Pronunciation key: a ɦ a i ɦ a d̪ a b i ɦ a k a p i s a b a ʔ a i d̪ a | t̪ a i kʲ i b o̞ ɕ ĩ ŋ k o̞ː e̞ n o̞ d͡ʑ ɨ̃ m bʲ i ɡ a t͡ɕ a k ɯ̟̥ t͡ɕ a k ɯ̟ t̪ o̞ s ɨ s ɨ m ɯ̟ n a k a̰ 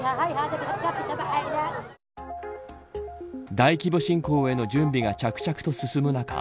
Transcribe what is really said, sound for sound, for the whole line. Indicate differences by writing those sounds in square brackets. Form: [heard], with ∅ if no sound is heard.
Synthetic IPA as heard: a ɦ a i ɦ a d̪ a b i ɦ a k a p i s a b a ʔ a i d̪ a | [d̪] a i kʲ i b o̞ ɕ ĩ ŋ k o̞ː e̞ n o̞ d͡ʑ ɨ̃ m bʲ i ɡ a t͡ɕ a k ɯ̟̥ t͡ɕ a k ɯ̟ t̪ o̞ s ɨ s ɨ m ɯ̟ n a k a̰